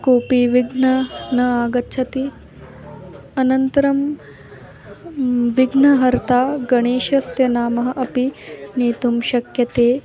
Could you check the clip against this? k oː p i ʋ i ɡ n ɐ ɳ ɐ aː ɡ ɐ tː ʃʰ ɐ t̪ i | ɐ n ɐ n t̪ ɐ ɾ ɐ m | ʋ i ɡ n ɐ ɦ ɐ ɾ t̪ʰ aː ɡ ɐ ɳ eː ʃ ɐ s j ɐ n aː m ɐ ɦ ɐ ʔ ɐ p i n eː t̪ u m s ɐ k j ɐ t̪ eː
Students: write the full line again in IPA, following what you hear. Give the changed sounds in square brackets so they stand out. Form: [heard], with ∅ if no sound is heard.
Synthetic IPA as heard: k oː p i ʋ i ɡ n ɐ [n] ɐ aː ɡ ɐ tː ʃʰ ɐ t̪ i | ɐ n ɐ n t̪ ɐ ɾ ɐ m | ʋ i ɡ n ɐ ɦ ɐ ɾ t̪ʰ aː ɡ ɐ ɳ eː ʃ ɐ s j ɐ n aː m ɐ ɦ ɐ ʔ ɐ p i n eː t̪ u m [ʃ] ɐ k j ɐ t̪ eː